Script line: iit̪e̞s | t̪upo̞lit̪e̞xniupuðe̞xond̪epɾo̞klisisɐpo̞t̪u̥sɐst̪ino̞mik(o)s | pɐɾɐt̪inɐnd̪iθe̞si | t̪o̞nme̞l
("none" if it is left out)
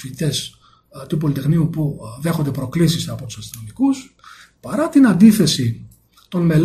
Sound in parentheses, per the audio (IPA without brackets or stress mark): u